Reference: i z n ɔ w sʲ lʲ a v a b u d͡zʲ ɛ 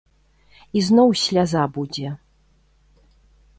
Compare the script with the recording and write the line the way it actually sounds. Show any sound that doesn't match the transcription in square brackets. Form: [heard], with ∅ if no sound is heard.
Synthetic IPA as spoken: i z n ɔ w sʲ lʲ a [z] a b u d͡zʲ ɛ